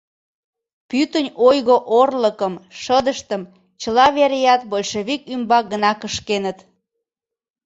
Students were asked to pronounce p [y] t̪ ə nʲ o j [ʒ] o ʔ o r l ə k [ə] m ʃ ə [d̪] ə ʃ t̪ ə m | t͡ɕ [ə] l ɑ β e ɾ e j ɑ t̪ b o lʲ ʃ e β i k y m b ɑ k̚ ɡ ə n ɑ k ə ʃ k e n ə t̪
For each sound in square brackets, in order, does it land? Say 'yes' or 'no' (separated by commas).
yes, no, yes, yes, yes